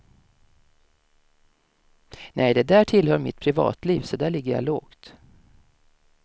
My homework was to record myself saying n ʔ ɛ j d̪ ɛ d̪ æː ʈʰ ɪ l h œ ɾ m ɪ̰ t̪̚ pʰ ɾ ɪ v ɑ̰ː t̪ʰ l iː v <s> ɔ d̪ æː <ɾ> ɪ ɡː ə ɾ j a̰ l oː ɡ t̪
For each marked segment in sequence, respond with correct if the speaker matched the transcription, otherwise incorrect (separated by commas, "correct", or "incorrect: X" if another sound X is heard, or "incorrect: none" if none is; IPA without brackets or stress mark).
correct, incorrect: ɭ